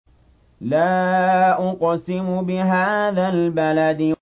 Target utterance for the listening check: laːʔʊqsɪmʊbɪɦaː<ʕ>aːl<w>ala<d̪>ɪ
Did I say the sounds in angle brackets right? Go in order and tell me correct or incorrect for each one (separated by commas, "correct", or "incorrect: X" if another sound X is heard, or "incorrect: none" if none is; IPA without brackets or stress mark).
incorrect: ð, incorrect: b, correct